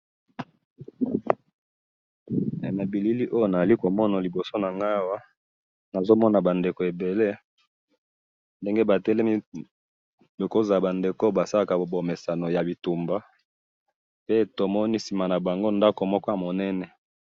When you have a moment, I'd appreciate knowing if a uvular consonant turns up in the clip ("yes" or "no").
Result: no